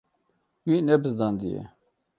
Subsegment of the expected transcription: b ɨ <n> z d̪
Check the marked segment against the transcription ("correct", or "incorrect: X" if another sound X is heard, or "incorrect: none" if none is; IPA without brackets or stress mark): incorrect: none